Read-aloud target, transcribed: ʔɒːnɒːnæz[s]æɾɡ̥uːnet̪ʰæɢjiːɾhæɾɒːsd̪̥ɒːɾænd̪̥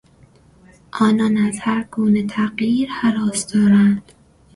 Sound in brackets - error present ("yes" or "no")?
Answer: yes